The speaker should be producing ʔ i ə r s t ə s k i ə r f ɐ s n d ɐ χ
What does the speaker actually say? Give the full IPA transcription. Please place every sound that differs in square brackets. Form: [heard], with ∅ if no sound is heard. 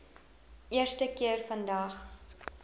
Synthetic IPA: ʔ i ə r s t ə [∅] k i ə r f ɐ [∅] n d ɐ χ